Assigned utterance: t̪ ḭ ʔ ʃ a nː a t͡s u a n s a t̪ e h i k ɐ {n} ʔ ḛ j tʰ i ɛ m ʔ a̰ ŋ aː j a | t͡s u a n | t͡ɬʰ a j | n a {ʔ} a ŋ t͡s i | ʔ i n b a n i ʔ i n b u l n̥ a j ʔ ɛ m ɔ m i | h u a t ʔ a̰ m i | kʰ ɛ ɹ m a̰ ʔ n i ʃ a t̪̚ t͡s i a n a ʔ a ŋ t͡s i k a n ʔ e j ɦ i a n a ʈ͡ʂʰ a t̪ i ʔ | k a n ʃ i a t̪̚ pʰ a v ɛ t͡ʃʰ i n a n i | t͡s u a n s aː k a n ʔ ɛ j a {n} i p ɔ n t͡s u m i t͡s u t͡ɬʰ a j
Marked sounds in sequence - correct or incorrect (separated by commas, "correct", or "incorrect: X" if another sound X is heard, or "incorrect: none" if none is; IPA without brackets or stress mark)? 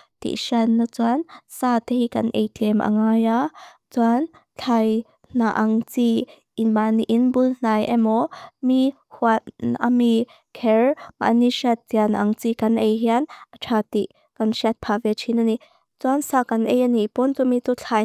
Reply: correct, correct, correct